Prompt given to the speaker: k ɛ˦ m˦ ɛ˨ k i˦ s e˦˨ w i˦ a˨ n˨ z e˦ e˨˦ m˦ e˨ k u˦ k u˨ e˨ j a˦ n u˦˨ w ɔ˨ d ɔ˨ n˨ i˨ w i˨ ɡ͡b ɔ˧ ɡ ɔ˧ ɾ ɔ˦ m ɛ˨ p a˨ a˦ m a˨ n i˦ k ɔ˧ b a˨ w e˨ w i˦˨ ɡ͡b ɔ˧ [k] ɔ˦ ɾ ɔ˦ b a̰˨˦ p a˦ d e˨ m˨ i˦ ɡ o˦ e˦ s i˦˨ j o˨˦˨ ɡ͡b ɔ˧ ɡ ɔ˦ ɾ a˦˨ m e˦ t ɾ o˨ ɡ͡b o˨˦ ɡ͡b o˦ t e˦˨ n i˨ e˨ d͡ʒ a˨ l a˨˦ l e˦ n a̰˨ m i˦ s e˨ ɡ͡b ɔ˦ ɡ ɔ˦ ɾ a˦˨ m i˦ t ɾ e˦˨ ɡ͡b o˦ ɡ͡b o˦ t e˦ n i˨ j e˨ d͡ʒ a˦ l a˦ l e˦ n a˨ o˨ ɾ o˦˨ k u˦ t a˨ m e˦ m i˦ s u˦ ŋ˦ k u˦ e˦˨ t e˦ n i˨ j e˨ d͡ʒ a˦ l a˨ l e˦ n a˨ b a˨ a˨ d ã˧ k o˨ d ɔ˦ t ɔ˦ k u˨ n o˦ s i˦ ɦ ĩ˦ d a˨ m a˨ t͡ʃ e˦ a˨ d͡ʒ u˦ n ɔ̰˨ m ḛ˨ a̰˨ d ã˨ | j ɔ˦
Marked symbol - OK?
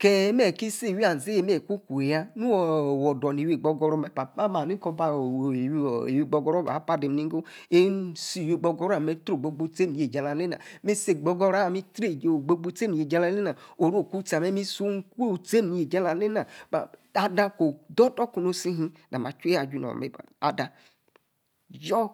no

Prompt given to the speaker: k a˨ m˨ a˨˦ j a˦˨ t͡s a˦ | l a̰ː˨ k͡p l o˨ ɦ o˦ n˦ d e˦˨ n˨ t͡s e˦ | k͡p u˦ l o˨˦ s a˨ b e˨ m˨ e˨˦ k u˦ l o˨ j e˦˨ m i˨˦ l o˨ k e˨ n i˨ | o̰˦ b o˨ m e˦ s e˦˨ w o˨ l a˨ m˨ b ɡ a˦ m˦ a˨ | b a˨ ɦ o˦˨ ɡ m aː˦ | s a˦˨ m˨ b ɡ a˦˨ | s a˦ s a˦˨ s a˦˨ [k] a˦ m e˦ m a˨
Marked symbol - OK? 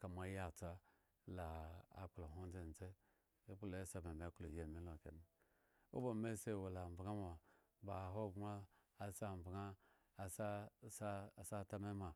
no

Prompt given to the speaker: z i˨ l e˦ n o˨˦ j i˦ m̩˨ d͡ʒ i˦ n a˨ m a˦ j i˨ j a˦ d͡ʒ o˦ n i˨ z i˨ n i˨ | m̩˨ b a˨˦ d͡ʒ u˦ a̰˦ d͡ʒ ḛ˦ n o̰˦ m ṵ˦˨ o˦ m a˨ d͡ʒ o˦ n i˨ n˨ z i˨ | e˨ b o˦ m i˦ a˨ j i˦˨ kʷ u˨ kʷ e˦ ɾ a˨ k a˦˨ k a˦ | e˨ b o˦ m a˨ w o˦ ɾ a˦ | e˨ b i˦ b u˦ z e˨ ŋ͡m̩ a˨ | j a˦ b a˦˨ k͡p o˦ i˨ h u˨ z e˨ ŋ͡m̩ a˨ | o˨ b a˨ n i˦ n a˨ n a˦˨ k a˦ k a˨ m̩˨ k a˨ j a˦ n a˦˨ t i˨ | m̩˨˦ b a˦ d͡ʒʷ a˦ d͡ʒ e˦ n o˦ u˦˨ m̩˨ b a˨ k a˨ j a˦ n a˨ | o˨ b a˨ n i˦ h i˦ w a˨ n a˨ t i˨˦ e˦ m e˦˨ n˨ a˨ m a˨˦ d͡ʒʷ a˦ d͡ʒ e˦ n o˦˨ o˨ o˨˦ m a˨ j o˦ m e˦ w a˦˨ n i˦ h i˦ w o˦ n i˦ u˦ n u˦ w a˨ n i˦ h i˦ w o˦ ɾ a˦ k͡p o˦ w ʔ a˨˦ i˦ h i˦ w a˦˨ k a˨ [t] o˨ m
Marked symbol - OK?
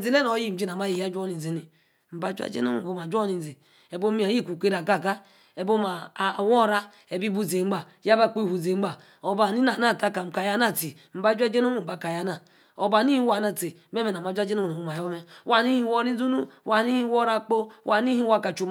no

